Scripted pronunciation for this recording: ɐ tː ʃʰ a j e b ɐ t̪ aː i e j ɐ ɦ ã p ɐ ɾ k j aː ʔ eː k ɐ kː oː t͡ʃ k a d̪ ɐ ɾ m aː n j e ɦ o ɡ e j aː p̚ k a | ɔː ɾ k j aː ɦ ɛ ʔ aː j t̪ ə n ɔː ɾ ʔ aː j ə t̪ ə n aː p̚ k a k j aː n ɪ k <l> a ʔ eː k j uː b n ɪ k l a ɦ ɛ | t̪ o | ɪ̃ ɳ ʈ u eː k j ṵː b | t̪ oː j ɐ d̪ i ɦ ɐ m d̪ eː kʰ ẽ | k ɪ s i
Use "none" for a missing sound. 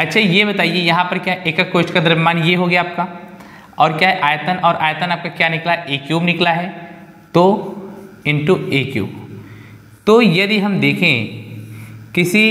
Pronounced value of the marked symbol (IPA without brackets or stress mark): l